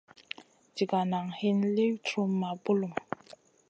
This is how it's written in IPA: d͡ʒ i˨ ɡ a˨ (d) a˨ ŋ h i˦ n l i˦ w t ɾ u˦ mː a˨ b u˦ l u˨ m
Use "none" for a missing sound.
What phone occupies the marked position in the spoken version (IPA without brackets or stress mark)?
n